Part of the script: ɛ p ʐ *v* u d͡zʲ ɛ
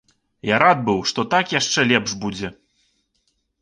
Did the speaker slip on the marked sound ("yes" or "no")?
yes